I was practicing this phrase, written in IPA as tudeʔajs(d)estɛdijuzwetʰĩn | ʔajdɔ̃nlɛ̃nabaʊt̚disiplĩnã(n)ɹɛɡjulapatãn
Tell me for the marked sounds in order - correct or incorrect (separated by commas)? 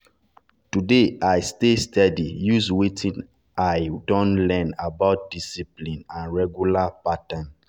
incorrect, correct